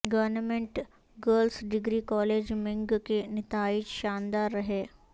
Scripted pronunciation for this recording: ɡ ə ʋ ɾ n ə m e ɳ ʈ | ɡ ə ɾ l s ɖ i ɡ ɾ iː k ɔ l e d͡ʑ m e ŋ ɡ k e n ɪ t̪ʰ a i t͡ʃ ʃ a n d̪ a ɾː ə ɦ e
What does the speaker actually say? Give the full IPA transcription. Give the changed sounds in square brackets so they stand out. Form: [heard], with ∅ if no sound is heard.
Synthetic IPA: ɡ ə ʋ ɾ n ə m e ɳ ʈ | ɡ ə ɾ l s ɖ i ɡ ɾ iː k ɔ l e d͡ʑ m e ŋ ɡ k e n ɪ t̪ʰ a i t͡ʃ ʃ a n d̪ a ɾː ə ɦ e